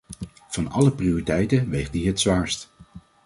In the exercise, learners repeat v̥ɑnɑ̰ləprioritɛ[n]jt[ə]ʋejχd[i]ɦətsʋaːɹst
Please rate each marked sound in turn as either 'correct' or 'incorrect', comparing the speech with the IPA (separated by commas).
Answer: incorrect, correct, correct